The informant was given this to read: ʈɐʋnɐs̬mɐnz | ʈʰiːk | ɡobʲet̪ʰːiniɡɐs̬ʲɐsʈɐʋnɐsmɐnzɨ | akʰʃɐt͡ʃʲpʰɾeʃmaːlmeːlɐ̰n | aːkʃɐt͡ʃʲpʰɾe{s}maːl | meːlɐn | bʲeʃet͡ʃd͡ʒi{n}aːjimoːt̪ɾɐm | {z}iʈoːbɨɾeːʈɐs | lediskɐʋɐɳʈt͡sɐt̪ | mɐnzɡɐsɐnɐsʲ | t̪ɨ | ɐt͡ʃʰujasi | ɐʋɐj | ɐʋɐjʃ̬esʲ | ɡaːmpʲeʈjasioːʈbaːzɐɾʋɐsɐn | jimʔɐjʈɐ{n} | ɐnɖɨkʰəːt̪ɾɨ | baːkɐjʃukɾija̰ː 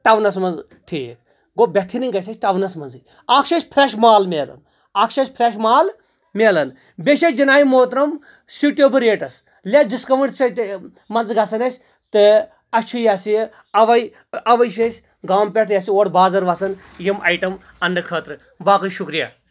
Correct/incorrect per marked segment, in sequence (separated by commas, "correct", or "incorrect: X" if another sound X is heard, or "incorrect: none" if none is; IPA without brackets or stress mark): incorrect: ʃ, correct, incorrect: s, incorrect: m